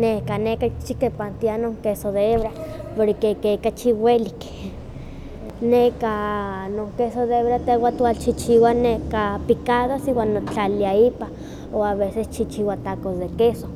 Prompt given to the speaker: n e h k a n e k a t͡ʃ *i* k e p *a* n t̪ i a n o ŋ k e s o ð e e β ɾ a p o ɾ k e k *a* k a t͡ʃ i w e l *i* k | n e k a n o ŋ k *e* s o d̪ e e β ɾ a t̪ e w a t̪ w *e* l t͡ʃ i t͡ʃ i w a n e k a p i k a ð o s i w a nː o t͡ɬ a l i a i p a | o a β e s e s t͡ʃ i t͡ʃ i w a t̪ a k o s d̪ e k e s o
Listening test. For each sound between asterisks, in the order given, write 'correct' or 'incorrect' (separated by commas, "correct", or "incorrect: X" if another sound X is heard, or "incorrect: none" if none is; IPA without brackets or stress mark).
correct, correct, incorrect: e, correct, correct, incorrect: a